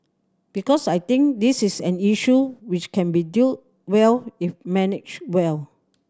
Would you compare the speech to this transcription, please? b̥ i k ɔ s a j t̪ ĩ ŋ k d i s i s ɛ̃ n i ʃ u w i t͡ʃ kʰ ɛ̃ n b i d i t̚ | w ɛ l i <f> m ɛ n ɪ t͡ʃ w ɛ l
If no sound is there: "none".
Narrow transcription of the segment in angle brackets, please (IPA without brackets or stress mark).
f